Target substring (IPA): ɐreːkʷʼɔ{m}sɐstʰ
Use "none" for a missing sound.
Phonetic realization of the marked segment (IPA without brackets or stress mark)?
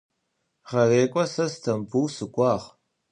none